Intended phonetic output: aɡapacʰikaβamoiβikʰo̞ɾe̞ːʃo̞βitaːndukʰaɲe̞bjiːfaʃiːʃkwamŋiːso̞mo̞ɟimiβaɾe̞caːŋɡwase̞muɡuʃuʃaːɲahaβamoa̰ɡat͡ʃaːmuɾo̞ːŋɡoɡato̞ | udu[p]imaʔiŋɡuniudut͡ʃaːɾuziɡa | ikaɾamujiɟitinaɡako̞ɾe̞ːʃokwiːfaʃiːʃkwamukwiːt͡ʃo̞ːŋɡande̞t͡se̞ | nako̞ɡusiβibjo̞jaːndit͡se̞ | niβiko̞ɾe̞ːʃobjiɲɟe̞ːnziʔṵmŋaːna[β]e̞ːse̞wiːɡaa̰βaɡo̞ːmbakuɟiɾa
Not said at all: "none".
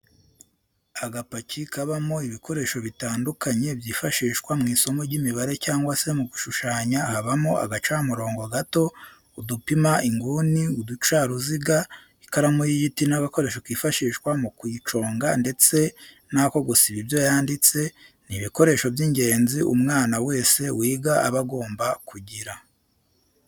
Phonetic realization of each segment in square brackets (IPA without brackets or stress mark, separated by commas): p, w